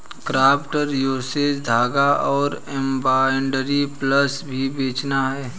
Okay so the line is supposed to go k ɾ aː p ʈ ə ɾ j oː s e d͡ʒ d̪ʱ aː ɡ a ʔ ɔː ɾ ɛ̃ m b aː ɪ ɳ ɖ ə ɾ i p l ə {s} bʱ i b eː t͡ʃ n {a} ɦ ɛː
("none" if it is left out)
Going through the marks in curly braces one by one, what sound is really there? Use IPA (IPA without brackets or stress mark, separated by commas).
s, a